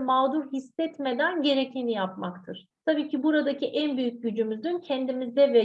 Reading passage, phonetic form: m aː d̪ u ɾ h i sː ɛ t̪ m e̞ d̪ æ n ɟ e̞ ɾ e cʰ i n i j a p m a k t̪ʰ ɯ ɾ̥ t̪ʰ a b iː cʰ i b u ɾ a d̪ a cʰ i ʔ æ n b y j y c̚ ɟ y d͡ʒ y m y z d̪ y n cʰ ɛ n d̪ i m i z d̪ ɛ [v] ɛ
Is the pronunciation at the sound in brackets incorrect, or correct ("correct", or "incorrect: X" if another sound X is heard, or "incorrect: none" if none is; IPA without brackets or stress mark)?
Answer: correct